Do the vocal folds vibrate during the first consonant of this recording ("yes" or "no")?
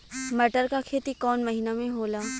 yes